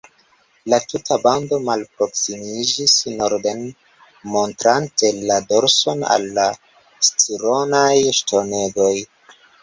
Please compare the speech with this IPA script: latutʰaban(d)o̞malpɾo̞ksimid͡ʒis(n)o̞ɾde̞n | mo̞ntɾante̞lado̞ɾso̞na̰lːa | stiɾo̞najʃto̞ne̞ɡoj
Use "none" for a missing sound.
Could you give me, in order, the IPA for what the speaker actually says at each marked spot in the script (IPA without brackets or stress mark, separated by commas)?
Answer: d, n